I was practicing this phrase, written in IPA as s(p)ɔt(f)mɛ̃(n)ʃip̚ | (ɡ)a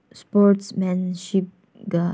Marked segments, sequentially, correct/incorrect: correct, incorrect: s, correct, correct

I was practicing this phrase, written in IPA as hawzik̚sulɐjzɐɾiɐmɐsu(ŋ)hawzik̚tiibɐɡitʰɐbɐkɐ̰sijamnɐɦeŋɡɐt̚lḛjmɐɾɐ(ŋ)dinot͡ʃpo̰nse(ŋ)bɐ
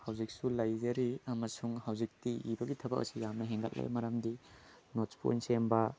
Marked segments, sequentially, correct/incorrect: correct, incorrect: m, incorrect: m

